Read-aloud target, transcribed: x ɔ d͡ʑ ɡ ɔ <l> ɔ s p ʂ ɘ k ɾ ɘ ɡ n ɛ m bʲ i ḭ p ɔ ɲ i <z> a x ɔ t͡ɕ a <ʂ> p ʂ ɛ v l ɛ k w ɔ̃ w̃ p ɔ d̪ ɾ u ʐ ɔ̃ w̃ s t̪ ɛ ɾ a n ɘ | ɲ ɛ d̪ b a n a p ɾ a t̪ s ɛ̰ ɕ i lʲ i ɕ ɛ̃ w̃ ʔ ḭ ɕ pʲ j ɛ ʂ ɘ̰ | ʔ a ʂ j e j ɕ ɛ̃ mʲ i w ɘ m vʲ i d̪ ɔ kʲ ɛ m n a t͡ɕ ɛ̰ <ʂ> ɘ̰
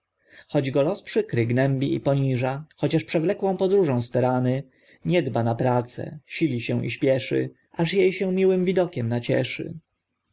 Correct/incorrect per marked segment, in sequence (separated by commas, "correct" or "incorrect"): correct, incorrect, correct, correct